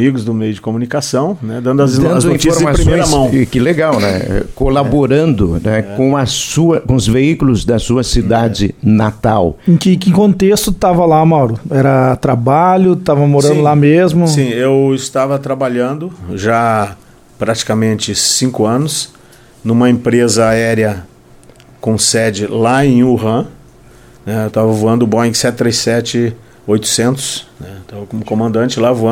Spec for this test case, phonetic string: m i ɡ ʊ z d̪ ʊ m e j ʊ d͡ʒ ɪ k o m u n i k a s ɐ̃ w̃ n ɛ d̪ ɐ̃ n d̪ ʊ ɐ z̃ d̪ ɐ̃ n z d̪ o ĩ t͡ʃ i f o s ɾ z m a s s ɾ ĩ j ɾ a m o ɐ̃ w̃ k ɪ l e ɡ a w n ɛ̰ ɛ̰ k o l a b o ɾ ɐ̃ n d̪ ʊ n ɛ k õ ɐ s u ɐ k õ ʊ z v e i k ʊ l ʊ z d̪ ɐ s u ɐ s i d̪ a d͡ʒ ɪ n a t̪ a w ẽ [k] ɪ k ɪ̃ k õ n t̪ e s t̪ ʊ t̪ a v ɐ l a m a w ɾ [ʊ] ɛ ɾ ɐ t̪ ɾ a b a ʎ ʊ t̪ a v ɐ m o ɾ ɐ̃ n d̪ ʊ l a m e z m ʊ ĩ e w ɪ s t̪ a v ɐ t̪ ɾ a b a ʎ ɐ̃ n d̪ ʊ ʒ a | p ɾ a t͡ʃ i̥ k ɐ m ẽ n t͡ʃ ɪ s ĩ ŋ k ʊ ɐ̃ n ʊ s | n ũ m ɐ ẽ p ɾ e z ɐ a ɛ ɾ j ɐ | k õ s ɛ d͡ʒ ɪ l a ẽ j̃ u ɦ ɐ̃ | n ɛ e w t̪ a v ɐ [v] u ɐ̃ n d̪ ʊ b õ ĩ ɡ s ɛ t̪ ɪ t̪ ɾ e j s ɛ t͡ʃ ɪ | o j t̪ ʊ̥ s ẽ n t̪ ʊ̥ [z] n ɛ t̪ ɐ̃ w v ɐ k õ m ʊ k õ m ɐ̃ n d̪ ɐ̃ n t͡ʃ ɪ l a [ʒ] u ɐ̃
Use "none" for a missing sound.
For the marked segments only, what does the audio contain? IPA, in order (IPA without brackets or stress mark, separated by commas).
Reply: k, ʊ, v, s, v